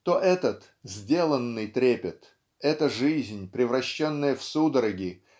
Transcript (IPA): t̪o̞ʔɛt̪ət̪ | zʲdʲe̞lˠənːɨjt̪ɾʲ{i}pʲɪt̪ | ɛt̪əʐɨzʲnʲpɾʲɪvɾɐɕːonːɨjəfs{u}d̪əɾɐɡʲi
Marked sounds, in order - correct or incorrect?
incorrect: e, correct

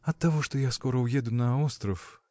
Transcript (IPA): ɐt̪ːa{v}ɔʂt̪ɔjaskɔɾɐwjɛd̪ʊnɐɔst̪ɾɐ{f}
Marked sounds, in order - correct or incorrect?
correct, correct

